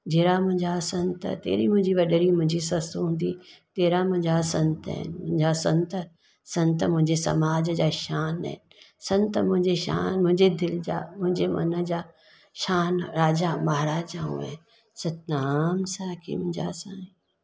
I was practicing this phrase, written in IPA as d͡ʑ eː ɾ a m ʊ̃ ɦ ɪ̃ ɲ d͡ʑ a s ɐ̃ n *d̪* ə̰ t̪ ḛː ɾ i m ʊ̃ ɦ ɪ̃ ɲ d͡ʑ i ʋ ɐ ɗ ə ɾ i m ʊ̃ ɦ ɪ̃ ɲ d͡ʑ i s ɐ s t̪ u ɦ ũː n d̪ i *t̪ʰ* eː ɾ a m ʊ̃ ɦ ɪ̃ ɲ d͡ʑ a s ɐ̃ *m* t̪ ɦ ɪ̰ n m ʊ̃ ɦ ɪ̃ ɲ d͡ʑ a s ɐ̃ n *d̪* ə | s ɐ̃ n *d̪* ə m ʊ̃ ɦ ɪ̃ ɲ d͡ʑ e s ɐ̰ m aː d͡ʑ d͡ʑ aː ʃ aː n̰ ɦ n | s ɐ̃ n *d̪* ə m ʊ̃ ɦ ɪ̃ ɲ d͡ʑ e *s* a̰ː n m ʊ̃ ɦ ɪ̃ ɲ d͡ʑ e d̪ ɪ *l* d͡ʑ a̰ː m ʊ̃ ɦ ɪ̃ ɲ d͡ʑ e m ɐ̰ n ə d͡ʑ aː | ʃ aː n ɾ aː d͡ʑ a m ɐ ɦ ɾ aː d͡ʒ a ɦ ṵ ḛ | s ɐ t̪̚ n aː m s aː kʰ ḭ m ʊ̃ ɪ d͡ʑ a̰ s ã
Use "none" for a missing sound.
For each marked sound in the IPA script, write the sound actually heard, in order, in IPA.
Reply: t̪, t̪, n, t̪, t̪, t̪, ʃ, l

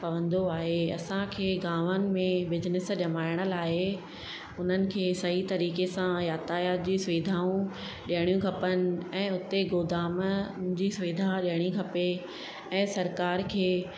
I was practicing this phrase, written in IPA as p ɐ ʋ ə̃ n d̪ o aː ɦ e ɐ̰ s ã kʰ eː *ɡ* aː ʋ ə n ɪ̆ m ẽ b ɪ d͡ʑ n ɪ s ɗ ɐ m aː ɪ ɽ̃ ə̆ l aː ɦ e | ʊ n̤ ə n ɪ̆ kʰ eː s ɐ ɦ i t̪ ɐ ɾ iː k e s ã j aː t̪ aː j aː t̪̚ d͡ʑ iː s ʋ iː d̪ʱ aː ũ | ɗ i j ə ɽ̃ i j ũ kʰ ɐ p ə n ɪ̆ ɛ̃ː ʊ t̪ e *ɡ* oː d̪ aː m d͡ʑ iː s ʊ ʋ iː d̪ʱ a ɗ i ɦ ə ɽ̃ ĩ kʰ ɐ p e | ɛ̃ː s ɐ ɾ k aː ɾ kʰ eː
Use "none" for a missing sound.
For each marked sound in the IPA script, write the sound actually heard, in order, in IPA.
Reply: ɡ, ɡ

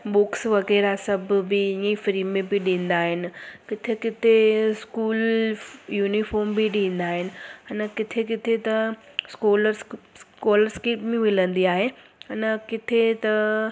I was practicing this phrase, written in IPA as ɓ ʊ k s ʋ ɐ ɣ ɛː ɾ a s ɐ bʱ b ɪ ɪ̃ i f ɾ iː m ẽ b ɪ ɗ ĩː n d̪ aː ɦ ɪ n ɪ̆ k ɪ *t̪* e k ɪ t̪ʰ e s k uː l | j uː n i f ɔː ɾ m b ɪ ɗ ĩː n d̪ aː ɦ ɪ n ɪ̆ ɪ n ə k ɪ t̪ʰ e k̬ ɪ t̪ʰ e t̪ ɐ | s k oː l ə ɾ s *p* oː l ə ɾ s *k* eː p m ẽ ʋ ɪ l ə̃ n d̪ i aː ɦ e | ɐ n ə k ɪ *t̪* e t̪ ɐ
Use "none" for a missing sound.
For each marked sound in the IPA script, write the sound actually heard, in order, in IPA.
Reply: t̪ʰ, k, k, t̪ʰ

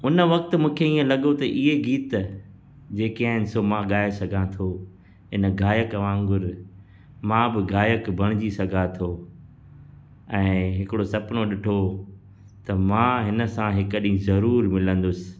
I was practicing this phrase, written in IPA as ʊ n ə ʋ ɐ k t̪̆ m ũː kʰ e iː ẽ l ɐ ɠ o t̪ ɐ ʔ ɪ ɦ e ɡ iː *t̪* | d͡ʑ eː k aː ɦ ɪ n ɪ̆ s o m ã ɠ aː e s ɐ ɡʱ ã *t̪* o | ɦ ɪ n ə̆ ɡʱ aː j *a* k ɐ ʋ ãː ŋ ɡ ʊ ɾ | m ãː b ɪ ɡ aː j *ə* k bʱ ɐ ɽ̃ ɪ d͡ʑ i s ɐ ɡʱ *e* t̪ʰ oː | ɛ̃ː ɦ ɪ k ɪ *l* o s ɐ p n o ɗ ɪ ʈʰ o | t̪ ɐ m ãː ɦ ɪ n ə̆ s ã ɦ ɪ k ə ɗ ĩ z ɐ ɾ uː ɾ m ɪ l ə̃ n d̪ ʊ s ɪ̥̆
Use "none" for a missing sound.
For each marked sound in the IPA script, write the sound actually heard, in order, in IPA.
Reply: t̪, t̪ʰ, ə, ə, a, ɽ

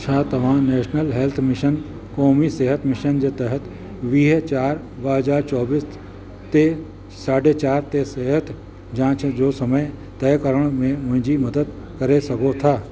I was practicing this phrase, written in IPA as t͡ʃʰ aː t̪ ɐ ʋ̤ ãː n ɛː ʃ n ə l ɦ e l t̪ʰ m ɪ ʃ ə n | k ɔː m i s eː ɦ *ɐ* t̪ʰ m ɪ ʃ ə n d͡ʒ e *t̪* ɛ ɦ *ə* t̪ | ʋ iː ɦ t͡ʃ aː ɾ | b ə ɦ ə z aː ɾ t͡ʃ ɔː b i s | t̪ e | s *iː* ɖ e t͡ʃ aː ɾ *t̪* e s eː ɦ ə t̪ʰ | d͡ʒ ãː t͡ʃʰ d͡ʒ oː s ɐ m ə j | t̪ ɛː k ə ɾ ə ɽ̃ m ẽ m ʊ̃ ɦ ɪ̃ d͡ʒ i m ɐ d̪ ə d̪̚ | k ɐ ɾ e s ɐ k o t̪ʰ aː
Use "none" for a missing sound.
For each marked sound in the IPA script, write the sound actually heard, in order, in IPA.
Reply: ə, t̪, ə, aː, t̪

